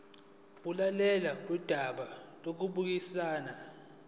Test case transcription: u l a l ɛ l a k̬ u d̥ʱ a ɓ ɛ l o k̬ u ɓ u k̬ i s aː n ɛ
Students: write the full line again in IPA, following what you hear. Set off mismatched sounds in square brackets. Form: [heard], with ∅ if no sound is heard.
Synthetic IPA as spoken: u l a l ɛ l a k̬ u d̥ʱ a ɓ [a] l o k̬ u ɓ u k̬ i s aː n [a]